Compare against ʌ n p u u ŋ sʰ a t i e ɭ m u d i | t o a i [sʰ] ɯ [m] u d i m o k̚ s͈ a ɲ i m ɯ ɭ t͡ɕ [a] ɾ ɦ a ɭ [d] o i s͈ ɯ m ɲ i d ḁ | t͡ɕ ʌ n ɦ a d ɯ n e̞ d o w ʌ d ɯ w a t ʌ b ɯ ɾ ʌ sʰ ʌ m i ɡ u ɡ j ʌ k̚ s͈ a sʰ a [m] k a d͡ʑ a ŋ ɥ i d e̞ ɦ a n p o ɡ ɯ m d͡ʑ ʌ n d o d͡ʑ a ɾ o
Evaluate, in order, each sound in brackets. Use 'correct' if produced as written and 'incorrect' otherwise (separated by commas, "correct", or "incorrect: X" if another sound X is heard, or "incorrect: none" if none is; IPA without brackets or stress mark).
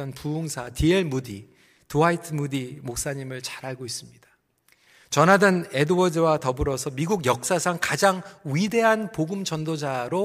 incorrect: tʰ, correct, correct, incorrect: ɡ, incorrect: ŋ